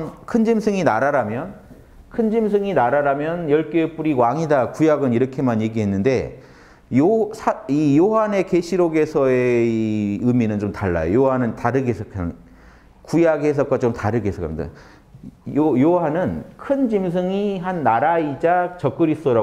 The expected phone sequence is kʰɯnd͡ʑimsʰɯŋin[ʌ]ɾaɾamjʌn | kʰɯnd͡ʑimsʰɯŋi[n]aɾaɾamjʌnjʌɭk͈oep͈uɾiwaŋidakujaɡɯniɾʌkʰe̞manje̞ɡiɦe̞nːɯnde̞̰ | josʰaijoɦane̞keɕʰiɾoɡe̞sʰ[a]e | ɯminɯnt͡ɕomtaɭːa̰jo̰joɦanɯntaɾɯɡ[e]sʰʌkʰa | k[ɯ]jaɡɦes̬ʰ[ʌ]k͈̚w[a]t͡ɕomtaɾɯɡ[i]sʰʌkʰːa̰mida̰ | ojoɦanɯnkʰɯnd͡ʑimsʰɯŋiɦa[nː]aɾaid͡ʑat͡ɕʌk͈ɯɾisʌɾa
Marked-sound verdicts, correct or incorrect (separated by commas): incorrect, correct, incorrect, correct, incorrect, correct, correct, incorrect, correct